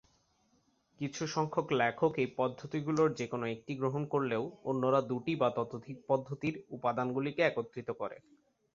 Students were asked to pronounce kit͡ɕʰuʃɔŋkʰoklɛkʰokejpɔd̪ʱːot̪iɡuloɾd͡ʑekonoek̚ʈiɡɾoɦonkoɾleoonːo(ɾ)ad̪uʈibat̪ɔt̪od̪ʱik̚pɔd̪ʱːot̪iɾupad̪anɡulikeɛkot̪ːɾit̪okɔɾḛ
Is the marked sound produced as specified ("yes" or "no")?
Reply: yes